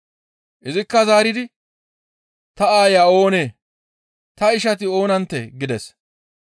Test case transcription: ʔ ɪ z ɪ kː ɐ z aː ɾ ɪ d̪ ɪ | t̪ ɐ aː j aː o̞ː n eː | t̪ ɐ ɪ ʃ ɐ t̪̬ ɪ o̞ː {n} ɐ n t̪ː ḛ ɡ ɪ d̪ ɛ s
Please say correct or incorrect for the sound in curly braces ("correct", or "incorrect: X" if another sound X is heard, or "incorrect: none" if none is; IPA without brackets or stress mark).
correct